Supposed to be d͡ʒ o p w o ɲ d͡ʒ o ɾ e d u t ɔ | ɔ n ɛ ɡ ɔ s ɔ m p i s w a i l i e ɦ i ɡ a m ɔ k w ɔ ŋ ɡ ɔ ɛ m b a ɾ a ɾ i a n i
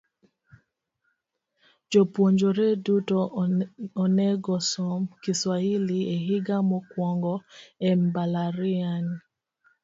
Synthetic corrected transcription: d͡ʒ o p w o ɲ d͡ʒ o ɾ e d u t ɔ | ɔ n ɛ ɡ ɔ s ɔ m k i s w a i l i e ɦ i ɡ a m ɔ k w ɔ ŋ ɡ ɔ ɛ m b a l a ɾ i a n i

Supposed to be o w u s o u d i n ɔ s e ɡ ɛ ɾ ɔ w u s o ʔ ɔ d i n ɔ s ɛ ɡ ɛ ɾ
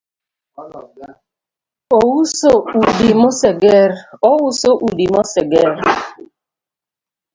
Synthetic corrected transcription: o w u s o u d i m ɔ s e ɡ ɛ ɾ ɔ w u s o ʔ u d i m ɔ s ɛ ɡ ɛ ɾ

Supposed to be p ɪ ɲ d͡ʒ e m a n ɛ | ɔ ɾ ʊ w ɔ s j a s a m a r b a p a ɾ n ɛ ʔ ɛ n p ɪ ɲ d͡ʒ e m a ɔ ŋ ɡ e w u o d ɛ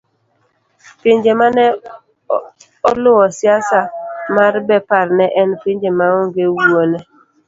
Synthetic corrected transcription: p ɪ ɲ d͡ʒ e m a n ɛ | ɔ l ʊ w ɔ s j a s a m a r b ɛ p a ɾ n ɛ ʔ ɛ n p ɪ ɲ d͡ʒ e m a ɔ ŋ ɡ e w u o n ɛ

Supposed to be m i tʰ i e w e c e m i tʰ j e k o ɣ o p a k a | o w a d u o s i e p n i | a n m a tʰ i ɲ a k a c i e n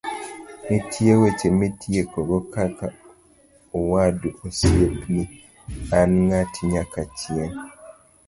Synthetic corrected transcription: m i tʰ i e w e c e m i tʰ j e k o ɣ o k a k a | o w a d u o s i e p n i | a n ŋ a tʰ i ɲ a k a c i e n

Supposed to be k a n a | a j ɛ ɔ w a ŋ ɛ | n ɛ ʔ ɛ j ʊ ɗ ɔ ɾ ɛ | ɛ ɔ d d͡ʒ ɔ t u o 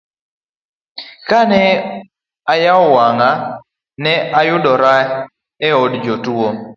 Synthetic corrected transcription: k a n ɛ | a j a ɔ w a ŋ a | n ɛ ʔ a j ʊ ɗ ɔ ɾ a | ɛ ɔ d d͡ʒ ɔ t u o

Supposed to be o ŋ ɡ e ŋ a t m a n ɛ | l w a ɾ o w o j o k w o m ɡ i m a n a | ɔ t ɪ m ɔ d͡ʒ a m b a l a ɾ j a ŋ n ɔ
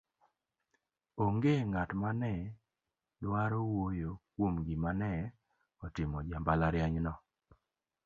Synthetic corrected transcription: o ŋ ɡ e ŋ a t m a n ɛ | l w a ɾ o w o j o k w o m ɡ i m a n ɛ | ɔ t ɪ m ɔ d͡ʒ a m b a l a ɾ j a ɲ n ɔ

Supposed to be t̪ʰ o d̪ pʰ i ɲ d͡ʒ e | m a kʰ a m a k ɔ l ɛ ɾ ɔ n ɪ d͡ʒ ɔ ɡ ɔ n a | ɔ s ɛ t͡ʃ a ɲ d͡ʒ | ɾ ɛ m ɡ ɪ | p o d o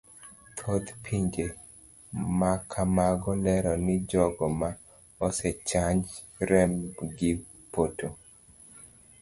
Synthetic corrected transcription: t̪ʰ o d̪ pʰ i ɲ d͡ʒ e | m a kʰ a m a ɡ ɔ l ɛ ɾ ɔ n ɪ d͡ʒ ɔ ɡ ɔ m a | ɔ s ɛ t͡ʃ a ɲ d͡ʒ | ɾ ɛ m ɡ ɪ | p o t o

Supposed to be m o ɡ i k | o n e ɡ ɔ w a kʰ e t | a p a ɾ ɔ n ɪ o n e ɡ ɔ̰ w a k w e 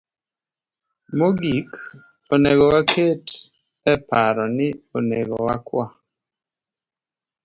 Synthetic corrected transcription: m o ɡ i k | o n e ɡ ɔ w a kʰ e t | ɛ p a ɾ ɔ n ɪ o n e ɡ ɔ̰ w a k w a

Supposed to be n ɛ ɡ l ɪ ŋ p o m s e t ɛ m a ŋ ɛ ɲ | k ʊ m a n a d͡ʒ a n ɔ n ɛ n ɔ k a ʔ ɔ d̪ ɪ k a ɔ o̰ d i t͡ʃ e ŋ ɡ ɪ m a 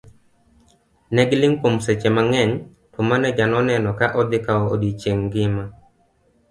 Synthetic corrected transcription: n ɛ ɡ l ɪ ŋ p o m s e t͡ʃ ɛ m a ŋ ɛ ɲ | t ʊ m a n ɛ d͡ʒ a n ɔ n ɛ n ɔ k a ʔ ɔ d̪ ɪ k a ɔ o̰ d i t͡ʃ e ŋ ɡ ɪ m a

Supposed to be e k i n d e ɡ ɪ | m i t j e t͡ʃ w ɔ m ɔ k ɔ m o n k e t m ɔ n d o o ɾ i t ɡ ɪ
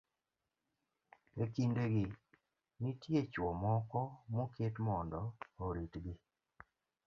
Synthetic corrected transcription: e k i n d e ɡ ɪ | n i t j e t͡ʃ w ɔ m ɔ k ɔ m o k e t m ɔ n d ɔ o ɾ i t ɡ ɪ

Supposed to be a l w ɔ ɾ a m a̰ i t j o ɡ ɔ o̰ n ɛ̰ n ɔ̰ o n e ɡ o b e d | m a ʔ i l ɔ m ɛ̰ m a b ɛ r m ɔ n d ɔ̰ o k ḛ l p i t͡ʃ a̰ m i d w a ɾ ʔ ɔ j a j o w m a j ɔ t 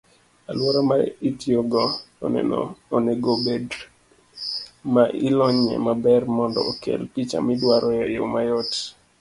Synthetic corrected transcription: a l w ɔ ɾ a m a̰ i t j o ɡ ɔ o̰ n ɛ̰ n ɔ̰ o n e ɡ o b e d | m a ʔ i l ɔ ɲ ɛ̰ m a b ɛ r m ɔ n d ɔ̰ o k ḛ l p i t͡ʃ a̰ m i d w a ɾ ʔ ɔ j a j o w m a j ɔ t

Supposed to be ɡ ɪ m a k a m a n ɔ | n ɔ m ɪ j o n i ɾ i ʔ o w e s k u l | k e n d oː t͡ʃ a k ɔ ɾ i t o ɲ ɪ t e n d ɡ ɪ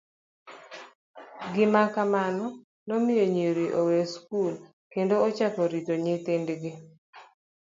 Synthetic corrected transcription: ɡ ɪ m a k a m a n ɔ | n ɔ m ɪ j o ɲ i ɾ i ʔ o w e s k u l | k e n d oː t͡ʃ a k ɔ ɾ i t o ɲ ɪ t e n d ɡ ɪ

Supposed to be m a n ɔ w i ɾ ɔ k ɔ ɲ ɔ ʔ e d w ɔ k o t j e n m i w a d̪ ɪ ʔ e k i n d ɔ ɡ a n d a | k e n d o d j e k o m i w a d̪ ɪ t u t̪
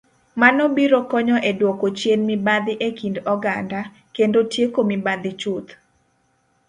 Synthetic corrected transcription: m a n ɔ b i ɾ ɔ k ɔ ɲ ɔ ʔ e d w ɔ k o t͡ʃ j e n m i b a d̪ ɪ ʔ e k i n d ɔ ɡ a n d a | k e n d o t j e k o m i b a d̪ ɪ t͡ʃ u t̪

